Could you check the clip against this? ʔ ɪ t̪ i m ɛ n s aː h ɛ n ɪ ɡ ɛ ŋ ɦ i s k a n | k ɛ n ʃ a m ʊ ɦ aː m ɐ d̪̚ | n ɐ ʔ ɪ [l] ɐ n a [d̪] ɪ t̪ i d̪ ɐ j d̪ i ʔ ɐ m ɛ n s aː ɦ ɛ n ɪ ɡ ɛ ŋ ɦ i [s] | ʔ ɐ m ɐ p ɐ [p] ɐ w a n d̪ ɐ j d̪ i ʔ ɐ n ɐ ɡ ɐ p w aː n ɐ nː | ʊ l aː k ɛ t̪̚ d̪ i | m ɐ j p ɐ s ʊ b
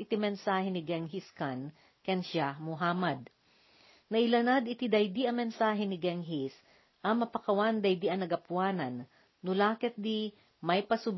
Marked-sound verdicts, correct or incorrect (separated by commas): correct, correct, correct, incorrect